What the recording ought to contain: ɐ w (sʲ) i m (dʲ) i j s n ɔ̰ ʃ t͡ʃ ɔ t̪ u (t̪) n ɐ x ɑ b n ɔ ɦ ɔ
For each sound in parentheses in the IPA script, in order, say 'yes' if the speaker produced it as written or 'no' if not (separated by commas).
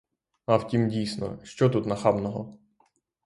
no, yes, yes